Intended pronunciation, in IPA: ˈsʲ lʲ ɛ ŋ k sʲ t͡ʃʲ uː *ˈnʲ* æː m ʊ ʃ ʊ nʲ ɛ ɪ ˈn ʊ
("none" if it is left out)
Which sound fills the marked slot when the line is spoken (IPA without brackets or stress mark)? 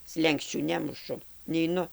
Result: nʲ